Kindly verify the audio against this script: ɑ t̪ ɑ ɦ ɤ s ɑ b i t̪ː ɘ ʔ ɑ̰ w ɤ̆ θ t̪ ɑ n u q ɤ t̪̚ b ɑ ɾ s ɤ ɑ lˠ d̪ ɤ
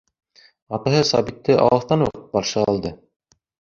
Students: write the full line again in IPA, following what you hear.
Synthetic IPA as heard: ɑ t̪ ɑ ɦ ɤ s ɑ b i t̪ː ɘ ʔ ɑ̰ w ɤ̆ θ t̪ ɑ n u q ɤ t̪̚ b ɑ ɾ ʃ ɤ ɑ lˠ d̪ ɤ